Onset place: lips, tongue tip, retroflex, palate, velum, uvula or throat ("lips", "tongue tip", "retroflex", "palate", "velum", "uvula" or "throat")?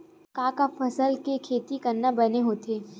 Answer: velum